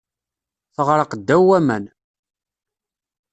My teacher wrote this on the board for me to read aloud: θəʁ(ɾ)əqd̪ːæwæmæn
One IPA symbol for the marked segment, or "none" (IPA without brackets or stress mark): ɾ